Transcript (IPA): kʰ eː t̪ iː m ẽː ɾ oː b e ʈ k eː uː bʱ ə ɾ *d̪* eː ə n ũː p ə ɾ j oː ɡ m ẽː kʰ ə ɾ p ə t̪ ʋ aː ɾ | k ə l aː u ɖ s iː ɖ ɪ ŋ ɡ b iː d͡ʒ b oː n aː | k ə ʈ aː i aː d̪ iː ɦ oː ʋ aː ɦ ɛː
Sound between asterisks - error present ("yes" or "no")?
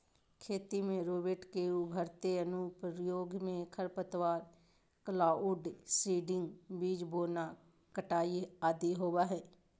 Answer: yes